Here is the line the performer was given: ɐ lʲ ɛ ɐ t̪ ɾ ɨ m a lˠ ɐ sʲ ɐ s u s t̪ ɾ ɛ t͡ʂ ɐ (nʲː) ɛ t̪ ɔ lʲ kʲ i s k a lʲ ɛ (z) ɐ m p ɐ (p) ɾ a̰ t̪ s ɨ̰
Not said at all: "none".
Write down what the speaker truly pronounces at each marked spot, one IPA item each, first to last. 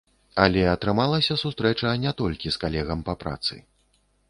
nʲ, ɣ, p

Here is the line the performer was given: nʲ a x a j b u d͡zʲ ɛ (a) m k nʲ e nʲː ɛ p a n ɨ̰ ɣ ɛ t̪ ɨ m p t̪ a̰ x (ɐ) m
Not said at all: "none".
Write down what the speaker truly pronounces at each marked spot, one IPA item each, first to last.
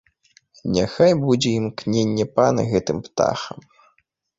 i, ɐ

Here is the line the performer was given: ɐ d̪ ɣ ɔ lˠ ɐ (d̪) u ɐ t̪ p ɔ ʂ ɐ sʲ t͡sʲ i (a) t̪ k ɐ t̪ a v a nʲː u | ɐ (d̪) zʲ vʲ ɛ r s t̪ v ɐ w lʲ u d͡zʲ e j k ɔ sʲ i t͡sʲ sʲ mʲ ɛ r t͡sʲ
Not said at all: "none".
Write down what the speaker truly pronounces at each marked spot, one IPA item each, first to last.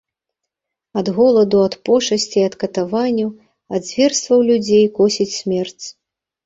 d̪, ɐ, d̪

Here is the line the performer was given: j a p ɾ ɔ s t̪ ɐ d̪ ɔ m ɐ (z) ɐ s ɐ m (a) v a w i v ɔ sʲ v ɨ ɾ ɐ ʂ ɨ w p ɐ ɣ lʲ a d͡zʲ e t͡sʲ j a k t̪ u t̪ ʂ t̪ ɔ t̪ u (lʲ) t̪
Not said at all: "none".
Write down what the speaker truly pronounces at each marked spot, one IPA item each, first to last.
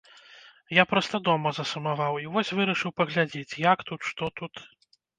z, a, none

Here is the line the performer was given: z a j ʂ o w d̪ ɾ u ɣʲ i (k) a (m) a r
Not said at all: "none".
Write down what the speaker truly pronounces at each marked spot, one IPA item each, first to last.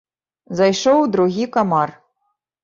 k, m

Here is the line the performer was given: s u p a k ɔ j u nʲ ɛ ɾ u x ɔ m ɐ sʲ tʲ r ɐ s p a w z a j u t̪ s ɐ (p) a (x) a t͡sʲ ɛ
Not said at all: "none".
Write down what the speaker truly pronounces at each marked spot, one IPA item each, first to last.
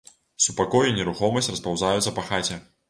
p, x

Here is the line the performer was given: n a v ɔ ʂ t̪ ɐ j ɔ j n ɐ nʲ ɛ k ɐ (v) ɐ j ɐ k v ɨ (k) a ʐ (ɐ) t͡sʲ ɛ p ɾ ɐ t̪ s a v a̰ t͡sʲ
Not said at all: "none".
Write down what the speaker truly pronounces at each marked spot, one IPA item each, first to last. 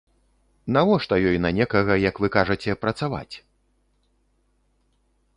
ɣ, k, ɐ

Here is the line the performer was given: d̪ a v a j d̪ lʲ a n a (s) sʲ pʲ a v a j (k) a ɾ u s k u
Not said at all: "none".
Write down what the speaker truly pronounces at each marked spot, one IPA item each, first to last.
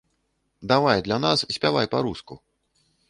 s, p

